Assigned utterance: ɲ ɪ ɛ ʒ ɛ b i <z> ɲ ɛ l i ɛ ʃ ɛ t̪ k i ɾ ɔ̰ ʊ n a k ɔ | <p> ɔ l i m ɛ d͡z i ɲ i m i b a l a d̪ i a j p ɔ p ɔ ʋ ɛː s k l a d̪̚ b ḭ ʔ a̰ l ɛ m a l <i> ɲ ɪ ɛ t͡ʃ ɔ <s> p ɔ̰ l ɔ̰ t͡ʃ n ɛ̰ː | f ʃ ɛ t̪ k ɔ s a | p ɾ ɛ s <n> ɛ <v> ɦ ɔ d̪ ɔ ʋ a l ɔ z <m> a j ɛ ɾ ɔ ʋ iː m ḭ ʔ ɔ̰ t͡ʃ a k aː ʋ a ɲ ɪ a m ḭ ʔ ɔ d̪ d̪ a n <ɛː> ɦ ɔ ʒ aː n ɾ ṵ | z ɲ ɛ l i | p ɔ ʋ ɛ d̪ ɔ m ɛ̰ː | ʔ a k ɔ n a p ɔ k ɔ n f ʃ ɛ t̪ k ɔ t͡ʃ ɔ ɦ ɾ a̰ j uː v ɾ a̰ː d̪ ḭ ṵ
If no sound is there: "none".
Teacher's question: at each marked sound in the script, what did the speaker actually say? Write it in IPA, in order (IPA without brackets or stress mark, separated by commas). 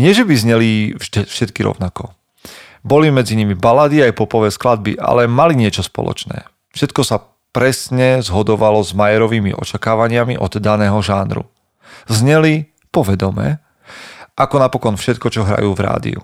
z, b, i, s, ɲ, z, m, ɛː